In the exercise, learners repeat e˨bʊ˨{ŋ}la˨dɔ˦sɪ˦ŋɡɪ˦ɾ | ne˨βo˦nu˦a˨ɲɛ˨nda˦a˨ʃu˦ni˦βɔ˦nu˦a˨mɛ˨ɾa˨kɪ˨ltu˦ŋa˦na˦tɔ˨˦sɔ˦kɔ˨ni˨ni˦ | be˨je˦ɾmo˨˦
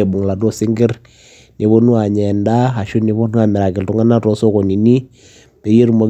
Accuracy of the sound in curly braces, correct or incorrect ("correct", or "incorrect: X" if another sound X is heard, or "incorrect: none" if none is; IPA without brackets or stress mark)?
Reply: correct